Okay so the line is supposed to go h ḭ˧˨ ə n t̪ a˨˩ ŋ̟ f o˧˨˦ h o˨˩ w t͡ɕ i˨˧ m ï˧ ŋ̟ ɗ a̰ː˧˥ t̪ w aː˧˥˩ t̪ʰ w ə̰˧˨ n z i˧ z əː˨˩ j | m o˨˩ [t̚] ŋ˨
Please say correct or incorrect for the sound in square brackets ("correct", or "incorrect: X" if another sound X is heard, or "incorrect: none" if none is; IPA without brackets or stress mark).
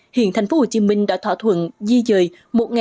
correct